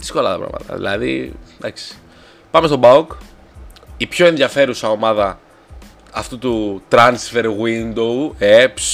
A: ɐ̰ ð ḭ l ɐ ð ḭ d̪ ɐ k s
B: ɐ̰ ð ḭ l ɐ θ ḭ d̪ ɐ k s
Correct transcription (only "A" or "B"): A